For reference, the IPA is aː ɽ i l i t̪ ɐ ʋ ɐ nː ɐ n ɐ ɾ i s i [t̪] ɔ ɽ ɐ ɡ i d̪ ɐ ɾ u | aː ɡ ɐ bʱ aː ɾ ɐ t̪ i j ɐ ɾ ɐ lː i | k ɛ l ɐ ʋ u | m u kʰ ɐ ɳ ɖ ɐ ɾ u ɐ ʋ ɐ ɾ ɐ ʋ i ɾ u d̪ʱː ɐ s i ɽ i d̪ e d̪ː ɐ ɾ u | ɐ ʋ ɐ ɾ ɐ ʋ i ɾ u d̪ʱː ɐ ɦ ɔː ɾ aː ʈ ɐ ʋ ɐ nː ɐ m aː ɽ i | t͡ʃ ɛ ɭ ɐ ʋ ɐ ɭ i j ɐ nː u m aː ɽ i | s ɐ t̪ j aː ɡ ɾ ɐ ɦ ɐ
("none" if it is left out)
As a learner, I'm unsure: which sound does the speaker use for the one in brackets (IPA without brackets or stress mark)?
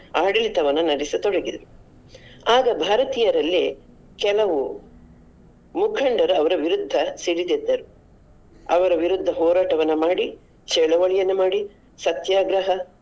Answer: t̪